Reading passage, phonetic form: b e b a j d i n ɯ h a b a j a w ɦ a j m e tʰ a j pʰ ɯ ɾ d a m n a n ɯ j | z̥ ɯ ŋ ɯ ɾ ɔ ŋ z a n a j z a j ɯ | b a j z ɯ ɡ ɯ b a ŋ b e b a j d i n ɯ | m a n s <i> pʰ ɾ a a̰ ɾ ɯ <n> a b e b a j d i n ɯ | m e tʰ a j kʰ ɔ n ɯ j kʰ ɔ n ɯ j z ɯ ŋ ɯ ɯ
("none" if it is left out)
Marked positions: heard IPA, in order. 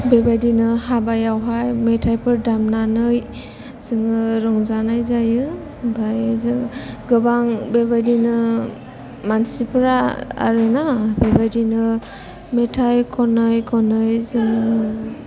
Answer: i, n

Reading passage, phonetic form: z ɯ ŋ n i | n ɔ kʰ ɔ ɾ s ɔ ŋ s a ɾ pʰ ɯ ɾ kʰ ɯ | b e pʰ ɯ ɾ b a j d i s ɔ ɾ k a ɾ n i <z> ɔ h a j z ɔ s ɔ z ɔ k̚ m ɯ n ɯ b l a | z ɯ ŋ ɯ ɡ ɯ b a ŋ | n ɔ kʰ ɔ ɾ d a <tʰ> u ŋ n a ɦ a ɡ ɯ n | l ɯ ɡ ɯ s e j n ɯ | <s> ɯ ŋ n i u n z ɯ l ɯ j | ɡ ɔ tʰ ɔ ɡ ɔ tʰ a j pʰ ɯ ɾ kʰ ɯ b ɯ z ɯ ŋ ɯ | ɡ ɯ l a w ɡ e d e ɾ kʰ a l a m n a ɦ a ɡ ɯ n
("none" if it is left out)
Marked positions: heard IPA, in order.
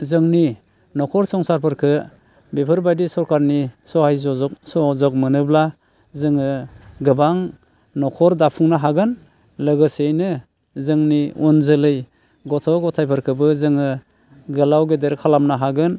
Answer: s, pʰ, z

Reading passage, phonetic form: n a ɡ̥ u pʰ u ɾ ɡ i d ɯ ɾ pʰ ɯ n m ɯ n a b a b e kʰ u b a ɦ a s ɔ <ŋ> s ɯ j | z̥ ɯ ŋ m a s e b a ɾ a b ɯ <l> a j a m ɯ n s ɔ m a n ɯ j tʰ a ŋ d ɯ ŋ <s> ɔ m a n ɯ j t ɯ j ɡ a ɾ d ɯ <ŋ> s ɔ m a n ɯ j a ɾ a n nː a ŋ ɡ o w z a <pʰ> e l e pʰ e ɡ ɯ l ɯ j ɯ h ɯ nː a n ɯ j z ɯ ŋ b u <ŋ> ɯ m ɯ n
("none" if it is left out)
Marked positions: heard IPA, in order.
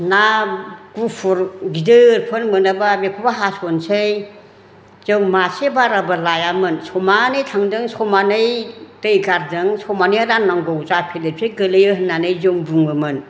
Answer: n, l, s, ŋ, pʰ, ŋ

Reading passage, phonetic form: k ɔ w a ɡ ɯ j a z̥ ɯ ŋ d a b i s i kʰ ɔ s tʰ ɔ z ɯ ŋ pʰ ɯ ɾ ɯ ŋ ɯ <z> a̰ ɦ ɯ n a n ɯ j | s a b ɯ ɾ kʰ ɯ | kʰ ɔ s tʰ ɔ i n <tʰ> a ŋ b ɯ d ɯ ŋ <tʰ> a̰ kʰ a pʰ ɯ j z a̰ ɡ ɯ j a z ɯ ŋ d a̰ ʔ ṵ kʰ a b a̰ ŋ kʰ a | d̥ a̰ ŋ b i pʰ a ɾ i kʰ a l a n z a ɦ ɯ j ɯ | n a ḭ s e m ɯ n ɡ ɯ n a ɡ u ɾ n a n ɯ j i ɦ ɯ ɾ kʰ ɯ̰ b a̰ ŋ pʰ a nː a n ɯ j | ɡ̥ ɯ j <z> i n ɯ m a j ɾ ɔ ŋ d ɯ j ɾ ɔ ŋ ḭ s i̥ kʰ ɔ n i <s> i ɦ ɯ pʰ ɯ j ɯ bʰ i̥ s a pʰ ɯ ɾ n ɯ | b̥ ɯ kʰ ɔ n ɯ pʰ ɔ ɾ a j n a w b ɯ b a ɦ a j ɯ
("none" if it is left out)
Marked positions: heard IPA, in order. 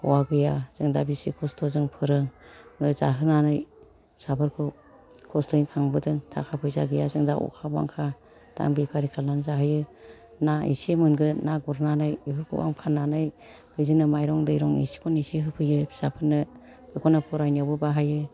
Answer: z, kʰ, tʰ, z, s

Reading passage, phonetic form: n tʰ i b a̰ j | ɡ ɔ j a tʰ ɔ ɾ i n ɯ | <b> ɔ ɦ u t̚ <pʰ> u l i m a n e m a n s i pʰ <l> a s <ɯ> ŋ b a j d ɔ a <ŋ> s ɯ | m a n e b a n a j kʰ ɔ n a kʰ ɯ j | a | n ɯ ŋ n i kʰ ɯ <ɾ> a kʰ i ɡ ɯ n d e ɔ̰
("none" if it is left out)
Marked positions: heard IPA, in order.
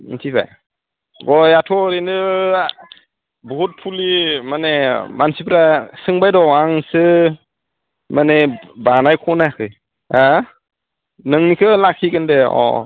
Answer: b, pʰ, ɾ, ɯ, ŋ, l

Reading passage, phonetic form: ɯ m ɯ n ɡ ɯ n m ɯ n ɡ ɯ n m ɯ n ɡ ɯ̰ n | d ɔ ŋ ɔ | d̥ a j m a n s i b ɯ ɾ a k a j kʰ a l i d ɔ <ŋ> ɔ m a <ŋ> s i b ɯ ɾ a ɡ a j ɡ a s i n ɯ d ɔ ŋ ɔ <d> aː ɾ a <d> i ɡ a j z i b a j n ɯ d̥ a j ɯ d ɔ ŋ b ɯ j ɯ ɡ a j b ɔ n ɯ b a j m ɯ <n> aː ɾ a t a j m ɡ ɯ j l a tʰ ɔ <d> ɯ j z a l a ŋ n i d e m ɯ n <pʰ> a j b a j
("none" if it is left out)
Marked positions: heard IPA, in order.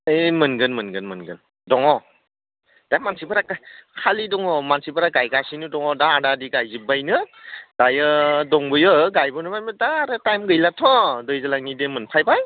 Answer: ŋ, n, d, d, d, d, pʰ

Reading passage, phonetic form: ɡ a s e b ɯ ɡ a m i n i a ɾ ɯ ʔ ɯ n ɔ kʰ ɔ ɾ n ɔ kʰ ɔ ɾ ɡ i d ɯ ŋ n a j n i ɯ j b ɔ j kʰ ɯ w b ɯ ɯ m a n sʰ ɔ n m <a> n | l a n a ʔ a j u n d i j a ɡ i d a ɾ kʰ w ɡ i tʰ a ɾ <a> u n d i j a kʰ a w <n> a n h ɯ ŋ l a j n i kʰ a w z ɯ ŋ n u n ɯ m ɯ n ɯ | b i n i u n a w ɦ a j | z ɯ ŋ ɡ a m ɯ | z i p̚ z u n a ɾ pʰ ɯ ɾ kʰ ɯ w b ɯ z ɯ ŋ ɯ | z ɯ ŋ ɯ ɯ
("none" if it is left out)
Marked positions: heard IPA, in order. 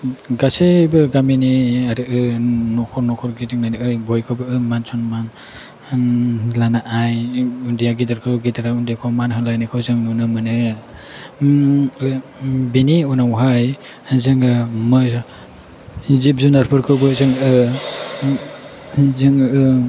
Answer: a, a, m

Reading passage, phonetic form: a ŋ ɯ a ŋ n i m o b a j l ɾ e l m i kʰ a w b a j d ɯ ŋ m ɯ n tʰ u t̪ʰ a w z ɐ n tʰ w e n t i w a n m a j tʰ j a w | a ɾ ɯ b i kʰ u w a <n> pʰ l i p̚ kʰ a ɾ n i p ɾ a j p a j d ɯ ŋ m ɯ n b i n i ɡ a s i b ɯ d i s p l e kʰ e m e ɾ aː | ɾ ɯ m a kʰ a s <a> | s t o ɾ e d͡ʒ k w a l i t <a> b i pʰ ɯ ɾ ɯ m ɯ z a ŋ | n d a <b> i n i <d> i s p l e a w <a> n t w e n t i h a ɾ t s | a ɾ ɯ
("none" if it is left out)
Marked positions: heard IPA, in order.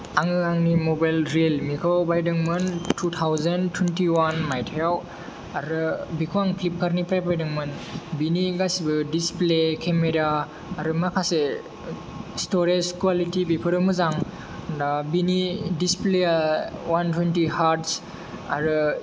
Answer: ŋ, e, i, b, d, a

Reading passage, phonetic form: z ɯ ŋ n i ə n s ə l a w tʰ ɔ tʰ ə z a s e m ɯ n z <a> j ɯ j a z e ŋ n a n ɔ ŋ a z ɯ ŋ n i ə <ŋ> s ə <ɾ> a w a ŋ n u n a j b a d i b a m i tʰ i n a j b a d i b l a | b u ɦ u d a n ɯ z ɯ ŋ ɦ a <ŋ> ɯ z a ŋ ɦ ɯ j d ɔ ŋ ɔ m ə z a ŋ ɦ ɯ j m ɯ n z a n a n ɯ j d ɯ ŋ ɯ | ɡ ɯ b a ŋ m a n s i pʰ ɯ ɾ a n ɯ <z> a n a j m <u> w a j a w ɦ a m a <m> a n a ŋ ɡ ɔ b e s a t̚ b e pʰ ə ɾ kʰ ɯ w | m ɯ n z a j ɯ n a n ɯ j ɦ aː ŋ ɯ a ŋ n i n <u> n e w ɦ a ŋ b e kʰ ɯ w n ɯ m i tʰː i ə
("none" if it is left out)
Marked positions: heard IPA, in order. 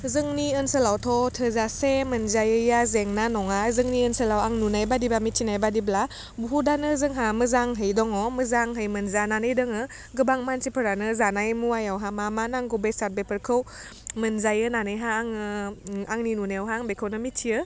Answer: a, n, l, m, z, u, m, u

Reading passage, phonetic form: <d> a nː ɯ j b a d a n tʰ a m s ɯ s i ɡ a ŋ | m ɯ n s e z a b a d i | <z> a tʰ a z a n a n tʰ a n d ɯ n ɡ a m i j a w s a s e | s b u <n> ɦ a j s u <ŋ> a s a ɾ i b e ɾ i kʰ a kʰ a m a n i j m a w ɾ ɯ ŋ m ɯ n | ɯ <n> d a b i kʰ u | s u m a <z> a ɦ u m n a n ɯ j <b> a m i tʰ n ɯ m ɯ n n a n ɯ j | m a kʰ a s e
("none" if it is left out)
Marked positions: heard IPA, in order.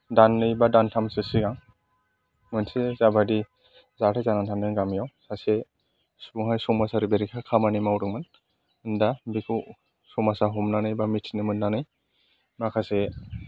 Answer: d, z, ŋ, m, n, s, b

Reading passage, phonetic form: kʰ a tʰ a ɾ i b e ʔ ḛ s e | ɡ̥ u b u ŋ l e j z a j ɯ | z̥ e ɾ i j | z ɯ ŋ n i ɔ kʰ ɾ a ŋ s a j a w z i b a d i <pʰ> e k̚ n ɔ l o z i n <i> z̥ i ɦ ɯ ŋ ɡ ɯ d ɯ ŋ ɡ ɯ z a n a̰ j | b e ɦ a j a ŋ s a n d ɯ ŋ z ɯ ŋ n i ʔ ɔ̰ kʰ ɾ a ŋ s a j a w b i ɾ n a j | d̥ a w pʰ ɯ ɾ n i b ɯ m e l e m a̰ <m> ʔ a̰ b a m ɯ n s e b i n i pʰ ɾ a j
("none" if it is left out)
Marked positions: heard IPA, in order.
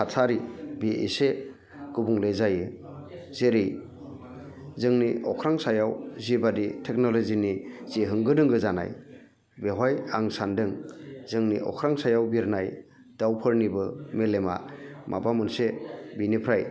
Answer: tʰ, i, m

